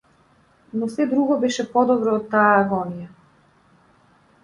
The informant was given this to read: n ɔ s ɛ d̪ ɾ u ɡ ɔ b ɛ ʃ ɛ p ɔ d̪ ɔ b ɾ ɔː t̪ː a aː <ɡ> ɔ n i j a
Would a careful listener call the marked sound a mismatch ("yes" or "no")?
no